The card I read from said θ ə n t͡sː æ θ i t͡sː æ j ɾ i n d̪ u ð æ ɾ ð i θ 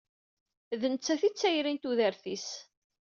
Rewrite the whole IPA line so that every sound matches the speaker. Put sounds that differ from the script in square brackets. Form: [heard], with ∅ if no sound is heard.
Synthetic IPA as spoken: [ð] ə n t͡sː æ θ i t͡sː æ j ɾ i n [t̪] u ð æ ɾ [θ] i [s]